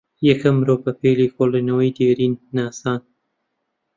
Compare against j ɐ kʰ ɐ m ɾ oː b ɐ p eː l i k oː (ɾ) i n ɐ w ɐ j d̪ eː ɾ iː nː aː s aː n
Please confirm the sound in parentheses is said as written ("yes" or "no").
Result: no